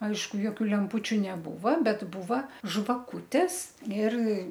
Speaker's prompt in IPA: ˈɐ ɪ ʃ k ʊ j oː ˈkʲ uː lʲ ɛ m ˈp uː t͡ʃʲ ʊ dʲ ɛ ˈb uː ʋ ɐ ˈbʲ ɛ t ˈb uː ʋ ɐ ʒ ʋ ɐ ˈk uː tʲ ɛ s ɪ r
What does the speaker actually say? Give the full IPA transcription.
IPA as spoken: ˈɐ ɪ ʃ k ʊ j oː ˈkʲ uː lʲ ɛ m ˈp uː t͡ʃʲ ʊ nʲ ɛ ˈb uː ʋ ɐ ˈbʲ ɛ t ˈb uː ʋ ɐ ʒ ʋ ɐ ˈk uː tʲ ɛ s ɪ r